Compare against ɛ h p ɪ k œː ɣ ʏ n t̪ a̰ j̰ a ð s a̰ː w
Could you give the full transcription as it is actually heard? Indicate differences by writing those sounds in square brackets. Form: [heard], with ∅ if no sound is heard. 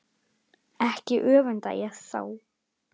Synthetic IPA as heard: ɛ h [c] ɪ [ʔ] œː [v] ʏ n t̪ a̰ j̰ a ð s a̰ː w